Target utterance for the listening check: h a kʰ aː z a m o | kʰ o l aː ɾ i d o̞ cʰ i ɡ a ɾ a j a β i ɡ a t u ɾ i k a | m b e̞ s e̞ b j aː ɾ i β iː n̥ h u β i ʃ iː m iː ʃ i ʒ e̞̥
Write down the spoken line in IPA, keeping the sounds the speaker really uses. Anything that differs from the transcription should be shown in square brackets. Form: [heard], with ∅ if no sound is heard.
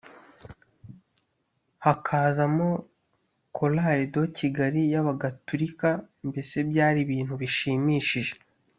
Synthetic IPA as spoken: h a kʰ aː z a m o | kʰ o l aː ɾ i d o̞ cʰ i ɡ a ɾ [i] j a β [a] ɡ a t u ɾ i k a | m b e̞ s e̞ b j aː ɾ i β iː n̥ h u β i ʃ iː m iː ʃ i ʒ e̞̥